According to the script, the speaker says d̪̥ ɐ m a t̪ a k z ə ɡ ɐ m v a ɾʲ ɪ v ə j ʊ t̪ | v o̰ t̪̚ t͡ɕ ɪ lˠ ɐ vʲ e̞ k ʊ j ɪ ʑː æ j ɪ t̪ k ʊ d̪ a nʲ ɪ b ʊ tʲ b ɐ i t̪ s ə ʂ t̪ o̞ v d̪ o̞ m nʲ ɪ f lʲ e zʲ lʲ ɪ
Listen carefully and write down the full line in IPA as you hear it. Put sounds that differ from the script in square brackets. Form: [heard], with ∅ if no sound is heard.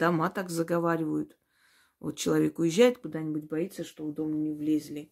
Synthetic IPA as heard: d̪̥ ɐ m a t̪ a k z ə ɡ ɐ [∅] v a ɾʲ ɪ v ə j ʊ t̪ | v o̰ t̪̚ t͡ɕ ɪ lˠ ɐ vʲ e̞ k ʊ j ɪ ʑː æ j ɪ t̪ k ʊ d̪ a nʲ ɪ b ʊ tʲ b ɐ i t̪ s ə ʂ t̪ o̞ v d̪ o̞ m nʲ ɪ [v] lʲ e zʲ lʲ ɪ